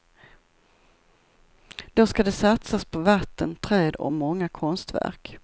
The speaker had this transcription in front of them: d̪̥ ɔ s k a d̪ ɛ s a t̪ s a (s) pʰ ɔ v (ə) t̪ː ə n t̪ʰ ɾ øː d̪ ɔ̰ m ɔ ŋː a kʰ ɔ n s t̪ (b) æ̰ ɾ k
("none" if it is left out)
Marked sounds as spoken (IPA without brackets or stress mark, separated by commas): s, a, v